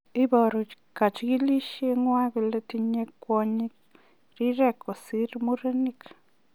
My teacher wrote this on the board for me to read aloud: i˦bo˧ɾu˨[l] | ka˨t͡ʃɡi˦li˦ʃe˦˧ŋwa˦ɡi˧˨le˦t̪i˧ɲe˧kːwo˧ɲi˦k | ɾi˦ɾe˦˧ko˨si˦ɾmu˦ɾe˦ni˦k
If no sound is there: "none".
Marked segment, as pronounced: none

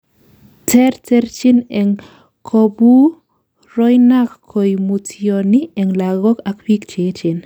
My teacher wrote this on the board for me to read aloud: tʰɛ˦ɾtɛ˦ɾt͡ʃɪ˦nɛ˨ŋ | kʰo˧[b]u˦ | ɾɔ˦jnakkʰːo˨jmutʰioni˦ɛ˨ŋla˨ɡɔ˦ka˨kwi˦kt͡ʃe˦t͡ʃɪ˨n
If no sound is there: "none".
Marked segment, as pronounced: b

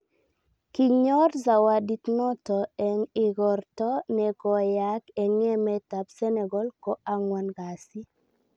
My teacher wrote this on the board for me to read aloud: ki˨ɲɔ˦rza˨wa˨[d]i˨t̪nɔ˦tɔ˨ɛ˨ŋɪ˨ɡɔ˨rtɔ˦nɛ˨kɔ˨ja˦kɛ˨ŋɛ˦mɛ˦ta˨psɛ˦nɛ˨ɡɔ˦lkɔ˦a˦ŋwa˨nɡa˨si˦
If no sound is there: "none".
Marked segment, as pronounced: d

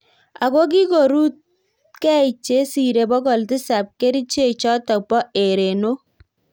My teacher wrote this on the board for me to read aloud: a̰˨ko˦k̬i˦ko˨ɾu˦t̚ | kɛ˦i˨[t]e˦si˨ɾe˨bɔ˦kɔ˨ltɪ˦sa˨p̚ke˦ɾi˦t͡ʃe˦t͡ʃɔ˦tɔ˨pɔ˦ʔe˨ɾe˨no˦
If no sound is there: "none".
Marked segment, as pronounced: t͡ʃ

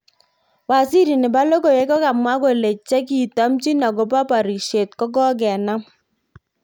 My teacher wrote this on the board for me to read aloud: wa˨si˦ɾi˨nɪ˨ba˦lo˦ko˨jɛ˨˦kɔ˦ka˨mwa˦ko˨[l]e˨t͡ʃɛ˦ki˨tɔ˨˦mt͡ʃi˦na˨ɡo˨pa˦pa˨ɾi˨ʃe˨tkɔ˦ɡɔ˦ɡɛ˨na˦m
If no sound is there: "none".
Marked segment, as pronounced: l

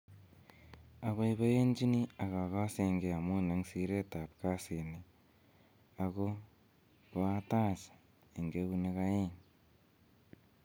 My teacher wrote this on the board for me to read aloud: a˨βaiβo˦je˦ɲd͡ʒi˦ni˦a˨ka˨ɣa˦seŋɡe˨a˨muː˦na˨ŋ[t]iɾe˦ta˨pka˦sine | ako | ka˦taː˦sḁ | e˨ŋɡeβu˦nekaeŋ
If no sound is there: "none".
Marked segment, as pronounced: s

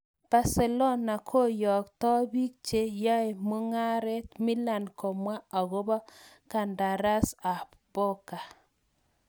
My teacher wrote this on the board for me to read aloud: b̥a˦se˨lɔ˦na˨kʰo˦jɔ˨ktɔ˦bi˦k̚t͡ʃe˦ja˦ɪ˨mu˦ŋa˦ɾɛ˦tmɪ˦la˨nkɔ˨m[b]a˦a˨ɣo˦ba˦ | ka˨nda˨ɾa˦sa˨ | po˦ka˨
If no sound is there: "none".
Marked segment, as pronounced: w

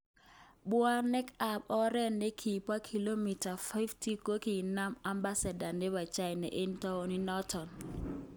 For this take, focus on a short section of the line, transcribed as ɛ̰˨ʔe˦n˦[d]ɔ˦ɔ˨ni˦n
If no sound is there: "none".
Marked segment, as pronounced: t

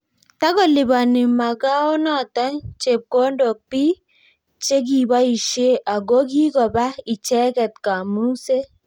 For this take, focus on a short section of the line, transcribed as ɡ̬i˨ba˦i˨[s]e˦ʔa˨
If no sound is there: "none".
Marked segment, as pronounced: ʃ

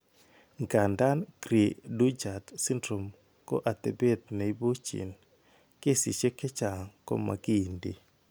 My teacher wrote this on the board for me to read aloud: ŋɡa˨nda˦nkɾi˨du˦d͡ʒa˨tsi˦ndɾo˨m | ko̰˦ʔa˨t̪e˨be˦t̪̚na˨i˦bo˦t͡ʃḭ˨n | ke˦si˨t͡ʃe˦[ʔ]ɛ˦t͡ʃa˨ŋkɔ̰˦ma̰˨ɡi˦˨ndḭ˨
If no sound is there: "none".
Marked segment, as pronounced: k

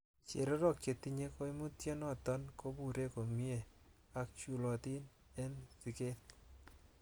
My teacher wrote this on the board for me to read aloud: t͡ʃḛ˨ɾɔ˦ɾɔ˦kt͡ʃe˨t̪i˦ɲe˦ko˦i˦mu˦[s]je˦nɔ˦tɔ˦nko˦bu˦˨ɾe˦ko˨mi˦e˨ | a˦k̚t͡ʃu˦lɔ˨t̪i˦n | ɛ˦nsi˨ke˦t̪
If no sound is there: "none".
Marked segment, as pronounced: t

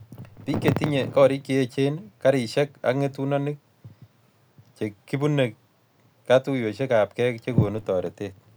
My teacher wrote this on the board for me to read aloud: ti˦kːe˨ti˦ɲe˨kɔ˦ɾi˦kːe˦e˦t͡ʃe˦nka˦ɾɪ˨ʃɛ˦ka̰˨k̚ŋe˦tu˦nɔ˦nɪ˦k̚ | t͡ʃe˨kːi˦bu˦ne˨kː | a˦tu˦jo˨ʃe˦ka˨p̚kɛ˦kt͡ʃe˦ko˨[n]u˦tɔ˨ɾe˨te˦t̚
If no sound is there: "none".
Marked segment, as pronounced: n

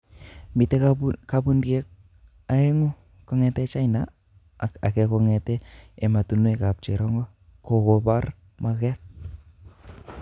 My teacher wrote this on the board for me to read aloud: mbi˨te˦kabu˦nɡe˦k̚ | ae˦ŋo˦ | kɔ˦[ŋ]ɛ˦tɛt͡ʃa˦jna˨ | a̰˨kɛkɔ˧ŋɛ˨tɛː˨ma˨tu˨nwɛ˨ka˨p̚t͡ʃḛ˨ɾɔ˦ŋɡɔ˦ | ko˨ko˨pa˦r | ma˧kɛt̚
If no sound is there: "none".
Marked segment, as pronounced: ŋ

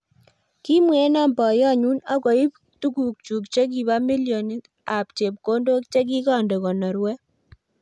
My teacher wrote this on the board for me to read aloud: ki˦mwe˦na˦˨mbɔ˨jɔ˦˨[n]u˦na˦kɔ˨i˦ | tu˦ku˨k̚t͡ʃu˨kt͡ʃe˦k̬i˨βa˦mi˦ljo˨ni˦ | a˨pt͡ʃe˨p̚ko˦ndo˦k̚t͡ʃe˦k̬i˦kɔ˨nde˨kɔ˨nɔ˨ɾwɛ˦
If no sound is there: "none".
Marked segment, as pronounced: ɲ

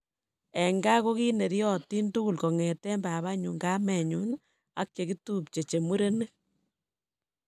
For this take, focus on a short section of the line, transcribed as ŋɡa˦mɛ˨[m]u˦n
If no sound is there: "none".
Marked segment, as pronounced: ɲ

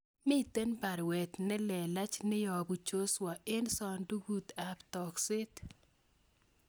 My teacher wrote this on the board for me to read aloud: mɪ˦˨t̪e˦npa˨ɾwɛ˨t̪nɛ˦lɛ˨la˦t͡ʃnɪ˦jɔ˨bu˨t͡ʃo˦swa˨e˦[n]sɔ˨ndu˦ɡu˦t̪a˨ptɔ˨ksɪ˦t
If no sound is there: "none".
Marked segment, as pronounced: n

